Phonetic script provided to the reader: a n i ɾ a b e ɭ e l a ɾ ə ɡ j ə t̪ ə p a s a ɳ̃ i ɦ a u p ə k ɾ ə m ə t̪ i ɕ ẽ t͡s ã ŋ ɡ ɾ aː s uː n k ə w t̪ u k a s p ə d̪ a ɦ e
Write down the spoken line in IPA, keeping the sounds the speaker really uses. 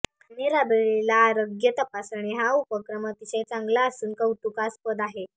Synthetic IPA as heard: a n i ɾ a b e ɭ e l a ɾ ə ɡ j ə t̪ ə p a s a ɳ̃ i ɦ a u p ə k ɾ ə m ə t̪ i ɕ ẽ t͡s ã ŋ ɡ l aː s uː n k ə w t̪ u k a s p ə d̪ a ɦ e